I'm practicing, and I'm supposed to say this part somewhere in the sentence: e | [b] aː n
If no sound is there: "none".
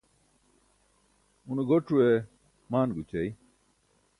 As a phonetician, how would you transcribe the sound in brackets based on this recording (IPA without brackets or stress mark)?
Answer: m